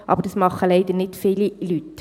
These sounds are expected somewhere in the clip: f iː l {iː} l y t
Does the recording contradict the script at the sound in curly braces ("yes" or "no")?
yes